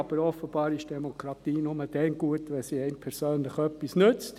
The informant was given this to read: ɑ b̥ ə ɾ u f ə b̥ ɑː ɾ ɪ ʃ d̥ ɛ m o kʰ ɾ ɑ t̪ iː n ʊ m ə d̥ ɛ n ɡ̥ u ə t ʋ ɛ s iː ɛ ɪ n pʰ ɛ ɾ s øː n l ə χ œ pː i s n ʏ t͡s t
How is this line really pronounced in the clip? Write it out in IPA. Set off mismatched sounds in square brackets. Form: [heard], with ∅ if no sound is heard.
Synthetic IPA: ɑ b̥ ə ɾ [ɔ] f ə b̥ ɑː ɾ ɪ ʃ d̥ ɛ m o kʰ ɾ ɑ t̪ iː n ʊ m ə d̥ ɛ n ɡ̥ u ə t ʋ ɛ s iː ɛ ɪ n pʰ ɛ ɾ s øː n l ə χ œ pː i s n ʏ t͡s t